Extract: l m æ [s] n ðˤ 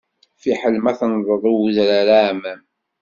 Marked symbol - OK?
no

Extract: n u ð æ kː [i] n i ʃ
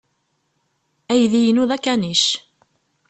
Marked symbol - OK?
no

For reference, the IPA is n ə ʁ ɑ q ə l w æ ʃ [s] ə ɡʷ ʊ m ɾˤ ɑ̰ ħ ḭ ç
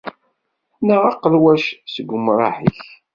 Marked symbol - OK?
yes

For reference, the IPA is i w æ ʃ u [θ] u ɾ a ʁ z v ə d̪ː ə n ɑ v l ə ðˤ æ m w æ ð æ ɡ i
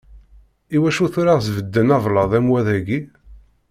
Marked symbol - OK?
yes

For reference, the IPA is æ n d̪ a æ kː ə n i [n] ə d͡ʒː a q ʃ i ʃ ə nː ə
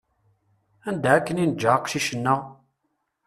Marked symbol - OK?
yes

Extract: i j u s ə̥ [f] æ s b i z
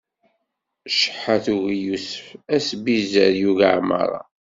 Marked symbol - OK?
yes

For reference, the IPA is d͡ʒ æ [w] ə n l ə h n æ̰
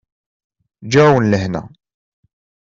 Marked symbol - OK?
yes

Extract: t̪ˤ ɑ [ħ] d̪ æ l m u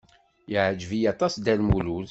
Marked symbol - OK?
no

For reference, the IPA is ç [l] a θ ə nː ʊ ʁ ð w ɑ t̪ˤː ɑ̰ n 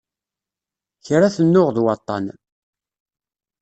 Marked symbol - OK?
no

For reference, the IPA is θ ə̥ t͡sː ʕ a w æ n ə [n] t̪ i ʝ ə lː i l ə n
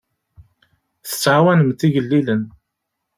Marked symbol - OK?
no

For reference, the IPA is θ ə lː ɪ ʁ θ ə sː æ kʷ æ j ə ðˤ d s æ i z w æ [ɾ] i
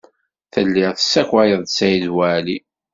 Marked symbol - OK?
no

